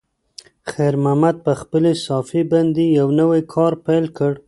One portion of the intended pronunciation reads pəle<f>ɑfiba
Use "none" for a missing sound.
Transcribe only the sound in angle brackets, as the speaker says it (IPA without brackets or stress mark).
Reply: s